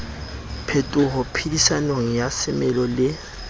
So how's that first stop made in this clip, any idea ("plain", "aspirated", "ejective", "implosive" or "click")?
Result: aspirated